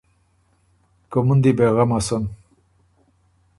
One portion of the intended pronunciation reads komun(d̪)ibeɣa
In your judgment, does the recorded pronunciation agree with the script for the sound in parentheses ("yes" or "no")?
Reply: yes